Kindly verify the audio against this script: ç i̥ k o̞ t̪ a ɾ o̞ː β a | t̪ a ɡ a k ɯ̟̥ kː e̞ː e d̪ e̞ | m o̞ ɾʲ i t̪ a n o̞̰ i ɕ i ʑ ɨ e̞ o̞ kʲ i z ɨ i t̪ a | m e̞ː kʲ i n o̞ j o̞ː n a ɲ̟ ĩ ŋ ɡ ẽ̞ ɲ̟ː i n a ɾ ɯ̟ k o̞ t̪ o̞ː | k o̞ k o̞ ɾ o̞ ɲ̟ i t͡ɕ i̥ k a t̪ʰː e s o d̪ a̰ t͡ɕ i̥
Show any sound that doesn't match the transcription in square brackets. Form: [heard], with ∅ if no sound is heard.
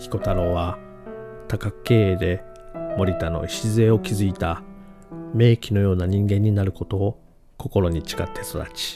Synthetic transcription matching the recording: ç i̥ k o̞ t̪ a ɾ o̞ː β a | t̪ a [k] a k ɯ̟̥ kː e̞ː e d̪ e̞ | m o̞ ɾʲ i t̪ a n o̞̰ i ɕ i [z] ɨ e̞ o̞ kʲ i z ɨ i t̪ a | m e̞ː kʲ i n o̞ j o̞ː n a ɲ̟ ĩ ŋ ɡ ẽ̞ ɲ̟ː i n a ɾ ɯ̟ k o̞ t̪ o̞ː | k o̞ k o̞ ɾ o̞ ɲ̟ i t͡ɕ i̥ k a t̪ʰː e s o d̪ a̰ t͡ɕ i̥

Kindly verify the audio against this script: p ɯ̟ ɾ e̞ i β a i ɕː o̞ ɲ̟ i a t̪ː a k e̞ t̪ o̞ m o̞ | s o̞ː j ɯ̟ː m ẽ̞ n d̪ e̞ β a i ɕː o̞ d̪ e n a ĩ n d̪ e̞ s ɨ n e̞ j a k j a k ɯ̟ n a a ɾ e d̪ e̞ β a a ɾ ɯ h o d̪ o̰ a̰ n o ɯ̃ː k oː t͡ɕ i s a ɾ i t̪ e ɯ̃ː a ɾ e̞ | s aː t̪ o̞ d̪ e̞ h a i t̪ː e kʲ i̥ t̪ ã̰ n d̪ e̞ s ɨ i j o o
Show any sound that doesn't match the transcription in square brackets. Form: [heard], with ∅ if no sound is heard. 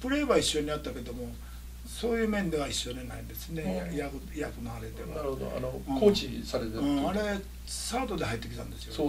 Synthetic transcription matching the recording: p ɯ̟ ɾ e̞ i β a i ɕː o̞ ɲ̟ i a t̪ː a k e̞ [d̪] o̞ m o̞ | s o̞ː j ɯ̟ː m ẽ̞ n d̪ e̞ β a i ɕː o̞ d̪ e n a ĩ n d̪ e̞ s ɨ n e̞ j a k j a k ɯ̟ n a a ɾ e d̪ e̞ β a a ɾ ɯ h o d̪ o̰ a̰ n o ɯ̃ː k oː t͡ɕ i s a ɾ [e] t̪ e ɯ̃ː a ɾ e̞ | s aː t̪ o̞ d̪ e̞ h a i t̪ː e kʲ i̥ t̪ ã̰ n d̪ e̞ s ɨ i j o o

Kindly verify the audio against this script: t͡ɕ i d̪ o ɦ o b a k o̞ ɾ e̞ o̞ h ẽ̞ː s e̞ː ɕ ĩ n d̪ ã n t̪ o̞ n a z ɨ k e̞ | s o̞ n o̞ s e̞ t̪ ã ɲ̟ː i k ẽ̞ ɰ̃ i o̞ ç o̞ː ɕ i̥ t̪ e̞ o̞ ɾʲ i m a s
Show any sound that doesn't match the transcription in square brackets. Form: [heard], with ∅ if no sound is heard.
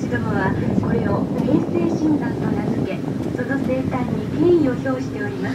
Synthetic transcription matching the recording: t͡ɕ i d̪ o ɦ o [β] a k o̞ ɾ e̞ o̞ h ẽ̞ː s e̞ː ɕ ĩ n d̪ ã n t̪ o̞ n a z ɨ k e̞ | s o̞ n o̞ s e̞ t̪ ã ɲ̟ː i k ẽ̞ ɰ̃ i o̞ ç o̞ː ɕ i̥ t̪ e̞ o̞ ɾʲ i m a s

